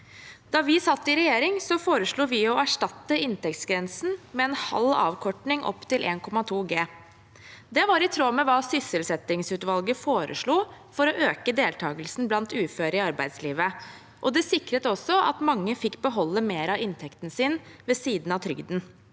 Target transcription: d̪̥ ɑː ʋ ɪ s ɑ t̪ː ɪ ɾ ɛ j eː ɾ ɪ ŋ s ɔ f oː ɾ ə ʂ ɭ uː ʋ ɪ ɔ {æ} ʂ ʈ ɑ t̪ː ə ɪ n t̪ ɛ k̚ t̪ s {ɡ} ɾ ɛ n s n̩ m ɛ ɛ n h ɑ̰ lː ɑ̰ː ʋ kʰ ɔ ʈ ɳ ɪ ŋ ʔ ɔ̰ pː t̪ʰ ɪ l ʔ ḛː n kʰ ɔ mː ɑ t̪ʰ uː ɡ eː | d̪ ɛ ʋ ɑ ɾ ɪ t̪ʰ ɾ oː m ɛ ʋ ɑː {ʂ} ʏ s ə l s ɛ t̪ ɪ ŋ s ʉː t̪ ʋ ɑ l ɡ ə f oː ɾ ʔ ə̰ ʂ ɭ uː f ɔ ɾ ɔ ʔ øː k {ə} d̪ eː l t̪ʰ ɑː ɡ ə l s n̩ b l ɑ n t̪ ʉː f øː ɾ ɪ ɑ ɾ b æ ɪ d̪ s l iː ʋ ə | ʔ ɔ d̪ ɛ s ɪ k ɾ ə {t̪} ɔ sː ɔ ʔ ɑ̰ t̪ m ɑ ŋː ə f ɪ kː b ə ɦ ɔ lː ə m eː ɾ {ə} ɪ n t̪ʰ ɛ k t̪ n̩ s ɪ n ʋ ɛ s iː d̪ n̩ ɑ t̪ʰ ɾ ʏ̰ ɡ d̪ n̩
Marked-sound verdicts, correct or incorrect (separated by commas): correct, correct, incorrect, correct, correct, incorrect